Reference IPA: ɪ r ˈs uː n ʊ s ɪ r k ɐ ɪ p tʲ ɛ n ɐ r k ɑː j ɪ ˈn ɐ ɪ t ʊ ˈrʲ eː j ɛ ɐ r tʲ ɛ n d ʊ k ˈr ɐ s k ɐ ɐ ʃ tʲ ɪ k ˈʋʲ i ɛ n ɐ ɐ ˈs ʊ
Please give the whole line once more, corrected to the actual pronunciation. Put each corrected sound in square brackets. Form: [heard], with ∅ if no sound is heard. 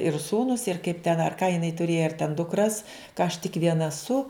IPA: ɪ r ˈs uː n ʊ s ɪ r k ɐ ɪ p tʲ ɛ n ɐ r k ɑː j ɪ ˈn ɐ ɪ t ʊ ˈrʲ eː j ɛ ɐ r tʲ ɛ n d ʊ k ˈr ɐ s k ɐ ɐ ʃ tʲ ɪ k ˈʋʲ i ɛ n ɐ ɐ ˈs ʊ

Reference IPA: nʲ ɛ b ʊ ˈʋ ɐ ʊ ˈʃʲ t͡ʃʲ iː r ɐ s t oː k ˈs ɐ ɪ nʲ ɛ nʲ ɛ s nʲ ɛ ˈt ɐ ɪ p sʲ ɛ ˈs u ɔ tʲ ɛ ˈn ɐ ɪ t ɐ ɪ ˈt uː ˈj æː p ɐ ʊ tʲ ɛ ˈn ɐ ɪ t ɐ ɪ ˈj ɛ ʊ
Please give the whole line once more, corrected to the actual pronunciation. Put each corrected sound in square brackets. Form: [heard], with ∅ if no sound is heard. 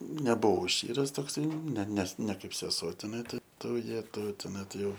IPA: nʲ ɛ b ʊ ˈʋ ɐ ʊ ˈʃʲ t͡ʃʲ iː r ɐ s t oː k ˈs ɐ ɪ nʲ ɛ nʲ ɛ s nʲ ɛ [ˈk] ɐ ɪ p sʲ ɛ ˈs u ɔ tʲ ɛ ˈn ɐ ɪ t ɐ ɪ ˈt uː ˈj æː [t] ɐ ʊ tʲ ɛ ˈn ɐ ɪ t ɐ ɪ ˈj ɛ ʊ

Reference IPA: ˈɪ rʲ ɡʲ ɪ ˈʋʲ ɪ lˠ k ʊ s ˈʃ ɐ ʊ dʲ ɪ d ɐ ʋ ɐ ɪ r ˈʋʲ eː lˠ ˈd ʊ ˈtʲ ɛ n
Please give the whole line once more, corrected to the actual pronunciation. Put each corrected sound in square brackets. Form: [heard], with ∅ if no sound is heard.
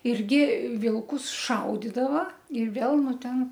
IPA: ˈɪ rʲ ɡʲ ɪ ˈʋʲ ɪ lˠ k ʊ s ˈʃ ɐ ʊ dʲ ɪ d ɐ ʋ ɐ ɪ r ˈʋʲ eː lˠ [ˈn] ʊ ˈtʲ ɛ n

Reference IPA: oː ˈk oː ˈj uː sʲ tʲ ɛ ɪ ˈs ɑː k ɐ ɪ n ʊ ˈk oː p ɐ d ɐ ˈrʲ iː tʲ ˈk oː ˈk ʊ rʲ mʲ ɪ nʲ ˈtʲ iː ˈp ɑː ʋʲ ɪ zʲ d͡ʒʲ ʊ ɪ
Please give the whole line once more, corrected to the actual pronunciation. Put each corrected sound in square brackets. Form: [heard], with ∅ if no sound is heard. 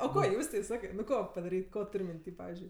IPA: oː ˈk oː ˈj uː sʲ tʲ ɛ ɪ ˈs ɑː k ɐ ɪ n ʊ ˈk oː p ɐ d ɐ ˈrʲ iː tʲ ˈk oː [ˈt] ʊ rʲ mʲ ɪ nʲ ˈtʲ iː ˈp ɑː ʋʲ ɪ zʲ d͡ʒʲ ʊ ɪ

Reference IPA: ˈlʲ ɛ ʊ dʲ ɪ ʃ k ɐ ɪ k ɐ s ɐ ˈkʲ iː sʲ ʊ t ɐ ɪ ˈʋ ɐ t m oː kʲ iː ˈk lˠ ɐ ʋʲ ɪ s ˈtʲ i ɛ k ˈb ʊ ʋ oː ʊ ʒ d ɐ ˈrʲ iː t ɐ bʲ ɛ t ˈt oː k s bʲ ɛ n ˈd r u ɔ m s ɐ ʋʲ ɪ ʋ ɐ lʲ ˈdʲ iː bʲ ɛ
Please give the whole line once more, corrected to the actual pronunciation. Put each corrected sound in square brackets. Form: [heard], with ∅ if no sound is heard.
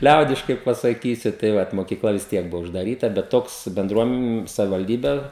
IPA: ˈlʲ ɛ ʊ dʲ ɪ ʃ k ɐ ɪ [p] ɐ s ɐ ˈkʲ iː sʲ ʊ t ɐ ɪ ˈʋ ɐ t m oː kʲ iː ˈk lˠ ɐ ʋʲ ɪ s ˈtʲ i ɛ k ˈb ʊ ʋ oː ʊ ʒ d ɐ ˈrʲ iː t ɐ bʲ ɛ t ˈt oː k s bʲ ɛ n ˈd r u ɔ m s ɐ ʋʲ ɪ ʋ ɐ lʲ ˈdʲ iː bʲ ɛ

